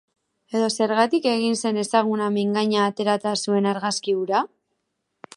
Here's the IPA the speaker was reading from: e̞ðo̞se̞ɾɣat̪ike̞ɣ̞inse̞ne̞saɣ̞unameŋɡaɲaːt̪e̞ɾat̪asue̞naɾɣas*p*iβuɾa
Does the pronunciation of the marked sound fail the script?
yes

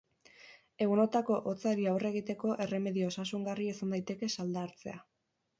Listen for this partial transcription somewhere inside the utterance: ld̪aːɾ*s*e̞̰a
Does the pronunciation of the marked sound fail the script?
yes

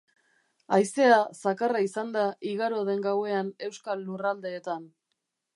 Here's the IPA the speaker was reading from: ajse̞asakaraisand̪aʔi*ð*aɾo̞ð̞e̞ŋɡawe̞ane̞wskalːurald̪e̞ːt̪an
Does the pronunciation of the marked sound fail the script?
yes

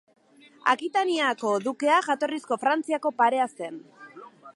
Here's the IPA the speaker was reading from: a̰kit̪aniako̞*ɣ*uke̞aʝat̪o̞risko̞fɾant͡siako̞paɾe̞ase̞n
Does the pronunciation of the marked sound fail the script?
yes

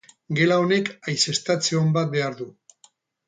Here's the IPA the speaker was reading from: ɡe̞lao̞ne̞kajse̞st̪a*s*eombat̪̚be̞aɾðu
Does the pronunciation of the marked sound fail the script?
yes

